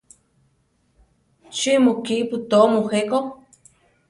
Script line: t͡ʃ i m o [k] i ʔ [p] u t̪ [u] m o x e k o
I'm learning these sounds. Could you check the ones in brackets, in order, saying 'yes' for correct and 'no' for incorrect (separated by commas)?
yes, yes, no